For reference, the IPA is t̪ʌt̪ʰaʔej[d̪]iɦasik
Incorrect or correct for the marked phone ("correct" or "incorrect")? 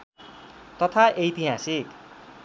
incorrect